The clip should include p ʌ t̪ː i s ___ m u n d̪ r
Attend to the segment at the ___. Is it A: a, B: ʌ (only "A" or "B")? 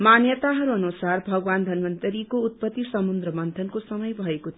B